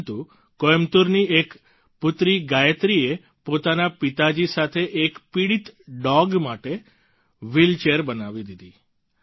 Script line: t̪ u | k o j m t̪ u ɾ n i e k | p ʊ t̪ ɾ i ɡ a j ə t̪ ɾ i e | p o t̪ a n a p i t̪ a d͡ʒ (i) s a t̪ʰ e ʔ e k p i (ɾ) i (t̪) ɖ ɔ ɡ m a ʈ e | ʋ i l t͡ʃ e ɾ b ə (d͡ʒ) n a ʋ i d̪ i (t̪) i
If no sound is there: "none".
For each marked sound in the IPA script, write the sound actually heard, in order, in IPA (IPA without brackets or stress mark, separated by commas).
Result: i, ɽ, t̪, none, d̪